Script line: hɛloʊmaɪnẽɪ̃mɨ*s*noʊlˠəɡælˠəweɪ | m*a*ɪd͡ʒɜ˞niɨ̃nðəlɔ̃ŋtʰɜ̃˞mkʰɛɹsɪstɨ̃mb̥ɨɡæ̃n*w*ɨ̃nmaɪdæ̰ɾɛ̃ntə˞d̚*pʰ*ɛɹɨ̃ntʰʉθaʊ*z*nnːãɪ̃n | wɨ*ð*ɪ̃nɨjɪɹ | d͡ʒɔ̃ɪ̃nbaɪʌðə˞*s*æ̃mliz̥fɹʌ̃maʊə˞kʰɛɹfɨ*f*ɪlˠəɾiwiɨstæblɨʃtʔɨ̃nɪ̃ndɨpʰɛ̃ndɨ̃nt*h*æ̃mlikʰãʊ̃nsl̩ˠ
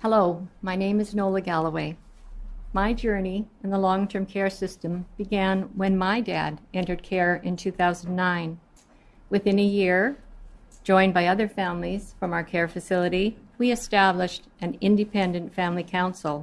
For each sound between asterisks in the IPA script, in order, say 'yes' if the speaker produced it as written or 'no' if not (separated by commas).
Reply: no, yes, yes, no, yes, no, no, no, no